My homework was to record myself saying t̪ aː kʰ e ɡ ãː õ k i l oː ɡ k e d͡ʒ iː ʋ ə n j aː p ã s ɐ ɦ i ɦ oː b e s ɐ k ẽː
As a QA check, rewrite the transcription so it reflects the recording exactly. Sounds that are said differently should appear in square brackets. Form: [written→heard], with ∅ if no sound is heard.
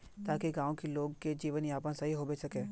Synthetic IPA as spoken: t̪ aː [kʰ→k] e ɡ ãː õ k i l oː ɡ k e d͡ʒ iː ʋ ə n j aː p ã s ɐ ɦ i ɦ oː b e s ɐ k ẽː

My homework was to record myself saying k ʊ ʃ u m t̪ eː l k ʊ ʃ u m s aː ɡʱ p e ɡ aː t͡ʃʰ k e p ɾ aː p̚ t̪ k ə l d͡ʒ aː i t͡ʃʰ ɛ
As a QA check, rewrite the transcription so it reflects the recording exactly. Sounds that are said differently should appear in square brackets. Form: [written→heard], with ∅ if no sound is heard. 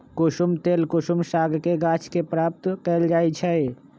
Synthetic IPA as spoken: k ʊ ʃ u m t̪ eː l k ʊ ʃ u m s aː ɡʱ [p→k] e ɡ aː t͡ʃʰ k e p ɾ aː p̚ t̪ k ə l d͡ʒ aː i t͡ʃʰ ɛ

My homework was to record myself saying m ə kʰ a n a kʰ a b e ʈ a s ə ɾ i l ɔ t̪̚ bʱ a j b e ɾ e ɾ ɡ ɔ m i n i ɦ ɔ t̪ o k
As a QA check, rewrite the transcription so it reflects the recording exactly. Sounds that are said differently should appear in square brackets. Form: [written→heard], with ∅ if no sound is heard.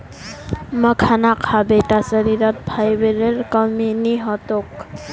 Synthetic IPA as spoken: m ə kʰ a n a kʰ a b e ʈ a s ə ɾ i [l→ɾ] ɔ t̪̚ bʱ a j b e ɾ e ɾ [ɡ→k] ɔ m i n i ɦ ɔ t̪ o k

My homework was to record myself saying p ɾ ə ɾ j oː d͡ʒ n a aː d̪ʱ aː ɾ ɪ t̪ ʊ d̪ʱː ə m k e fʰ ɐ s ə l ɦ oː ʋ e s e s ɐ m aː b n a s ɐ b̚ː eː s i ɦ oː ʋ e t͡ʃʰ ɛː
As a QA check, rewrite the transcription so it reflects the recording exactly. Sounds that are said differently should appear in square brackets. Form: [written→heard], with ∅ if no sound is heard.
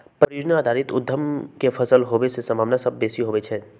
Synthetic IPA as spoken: p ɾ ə ɾ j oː d͡ʒ n a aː d̪ʱ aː ɾ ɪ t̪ ʊ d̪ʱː ə m k e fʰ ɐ s ə l ɦ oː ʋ e s e s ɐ m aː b n a s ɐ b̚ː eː s i ɦ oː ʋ e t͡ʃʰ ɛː

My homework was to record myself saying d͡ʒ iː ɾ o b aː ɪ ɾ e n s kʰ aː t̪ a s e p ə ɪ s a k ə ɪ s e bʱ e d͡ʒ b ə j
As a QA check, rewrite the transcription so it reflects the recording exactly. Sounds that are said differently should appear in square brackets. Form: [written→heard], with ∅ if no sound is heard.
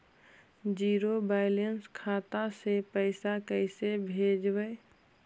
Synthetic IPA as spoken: d͡ʒ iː ɾ o b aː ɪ [ɾ→l] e n s kʰ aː t̪ a s e p ə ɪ s a k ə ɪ s e bʱ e d͡ʒ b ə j

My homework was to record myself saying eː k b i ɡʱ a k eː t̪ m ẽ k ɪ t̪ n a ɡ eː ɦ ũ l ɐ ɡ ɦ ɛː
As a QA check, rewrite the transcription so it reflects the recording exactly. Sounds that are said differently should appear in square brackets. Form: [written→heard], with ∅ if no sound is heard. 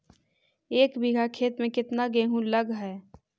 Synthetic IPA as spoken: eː k b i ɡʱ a [k→kʰ] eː t̪ m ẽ k ɪ t̪ n a ɡ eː ɦ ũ l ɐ ɡ ɦ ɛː

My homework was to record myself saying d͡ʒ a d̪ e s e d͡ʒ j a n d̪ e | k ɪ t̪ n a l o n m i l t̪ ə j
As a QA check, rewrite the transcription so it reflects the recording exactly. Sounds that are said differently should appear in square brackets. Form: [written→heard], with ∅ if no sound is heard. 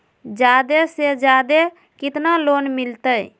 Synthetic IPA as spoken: d͡ʒ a d̪ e s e d͡ʒ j a [n→∅] d̪ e | k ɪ t̪ n a l o n m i l t̪ ə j

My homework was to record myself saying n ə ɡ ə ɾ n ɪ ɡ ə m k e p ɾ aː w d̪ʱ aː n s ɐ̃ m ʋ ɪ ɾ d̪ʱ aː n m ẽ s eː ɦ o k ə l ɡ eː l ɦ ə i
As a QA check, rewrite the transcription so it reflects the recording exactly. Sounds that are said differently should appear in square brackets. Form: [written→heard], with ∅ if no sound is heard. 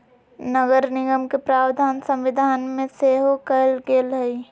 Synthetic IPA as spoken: n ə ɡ ə ɾ n ɪ ɡ ə m k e p ɾ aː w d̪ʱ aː n s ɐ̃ m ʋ ɪ [ɾ→∅] d̪ʱ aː n m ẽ s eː ɦ o k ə l ɡ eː l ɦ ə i

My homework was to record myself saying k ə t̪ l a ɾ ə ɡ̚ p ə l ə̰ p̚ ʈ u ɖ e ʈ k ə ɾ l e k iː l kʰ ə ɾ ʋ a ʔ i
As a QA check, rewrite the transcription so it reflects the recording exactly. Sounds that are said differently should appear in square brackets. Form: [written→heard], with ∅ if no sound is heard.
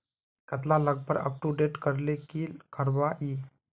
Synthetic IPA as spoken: k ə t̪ l a [ɾ→l] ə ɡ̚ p ə [l→ɾ] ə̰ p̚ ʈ u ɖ e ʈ k ə ɾ l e k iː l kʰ ə ɾ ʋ a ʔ i

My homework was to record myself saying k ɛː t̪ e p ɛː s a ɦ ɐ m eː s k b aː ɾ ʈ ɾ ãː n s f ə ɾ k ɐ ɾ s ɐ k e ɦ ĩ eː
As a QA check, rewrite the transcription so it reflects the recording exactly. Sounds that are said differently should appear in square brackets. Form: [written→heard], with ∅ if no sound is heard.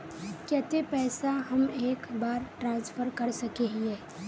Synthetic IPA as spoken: k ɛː t̪ e p ɛː s a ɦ ɐ m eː [s→∅] k b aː ɾ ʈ ɾ ãː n s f ə ɾ k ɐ ɾ s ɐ k e ɦ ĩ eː

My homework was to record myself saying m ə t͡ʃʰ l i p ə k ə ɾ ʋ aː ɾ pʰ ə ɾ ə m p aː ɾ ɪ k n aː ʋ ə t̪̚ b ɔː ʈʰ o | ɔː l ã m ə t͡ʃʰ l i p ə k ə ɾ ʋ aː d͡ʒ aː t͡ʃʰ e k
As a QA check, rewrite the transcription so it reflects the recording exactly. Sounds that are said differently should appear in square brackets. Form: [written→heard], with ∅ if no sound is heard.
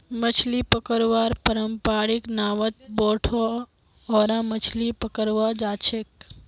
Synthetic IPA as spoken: m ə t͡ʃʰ l i p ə k ə ɾ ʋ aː ɾ [pʰ→p] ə ɾ ə m p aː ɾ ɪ k n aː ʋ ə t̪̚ b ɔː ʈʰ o | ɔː [l→ɾ] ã m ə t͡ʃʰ l i p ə k ə ɾ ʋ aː d͡ʒ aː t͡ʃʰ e k

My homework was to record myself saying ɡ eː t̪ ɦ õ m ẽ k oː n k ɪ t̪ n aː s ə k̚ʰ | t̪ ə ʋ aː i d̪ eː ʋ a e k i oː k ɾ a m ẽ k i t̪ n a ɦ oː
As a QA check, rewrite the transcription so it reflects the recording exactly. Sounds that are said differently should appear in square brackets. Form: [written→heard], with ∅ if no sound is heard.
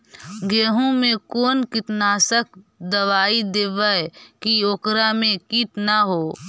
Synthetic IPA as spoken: ɡ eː [t̪→∅] ɦ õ m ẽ k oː n k ɪ t̪ n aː s ə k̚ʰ | [t̪→d̪] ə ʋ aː i d̪ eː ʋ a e k i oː k ɾ a m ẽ k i t̪ n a ɦ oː

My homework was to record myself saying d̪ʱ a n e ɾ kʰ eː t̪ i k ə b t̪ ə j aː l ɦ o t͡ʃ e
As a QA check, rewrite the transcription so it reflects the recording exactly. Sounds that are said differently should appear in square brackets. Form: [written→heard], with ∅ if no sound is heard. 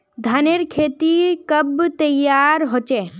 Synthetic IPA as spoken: d̪ʱ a n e ɾ kʰ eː t̪ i k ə b t̪ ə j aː [l→ɾ] ɦ o t͡ʃ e

